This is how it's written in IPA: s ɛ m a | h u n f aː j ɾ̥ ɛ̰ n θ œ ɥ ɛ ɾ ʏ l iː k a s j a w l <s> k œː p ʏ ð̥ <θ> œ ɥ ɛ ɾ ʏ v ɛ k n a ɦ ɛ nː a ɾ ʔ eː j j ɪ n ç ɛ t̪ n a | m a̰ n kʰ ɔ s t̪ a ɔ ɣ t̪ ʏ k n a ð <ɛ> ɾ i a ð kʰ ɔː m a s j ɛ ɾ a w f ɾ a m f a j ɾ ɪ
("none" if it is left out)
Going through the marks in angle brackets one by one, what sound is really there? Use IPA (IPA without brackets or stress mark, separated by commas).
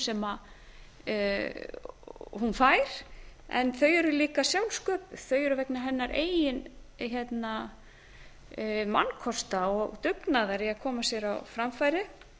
s, θ, a